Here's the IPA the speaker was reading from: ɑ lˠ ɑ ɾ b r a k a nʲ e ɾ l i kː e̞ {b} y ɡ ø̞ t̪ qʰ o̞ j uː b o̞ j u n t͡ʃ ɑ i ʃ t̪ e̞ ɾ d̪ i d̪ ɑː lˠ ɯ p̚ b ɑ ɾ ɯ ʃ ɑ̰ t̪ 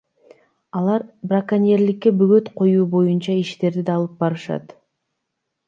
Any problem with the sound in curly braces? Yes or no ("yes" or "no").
no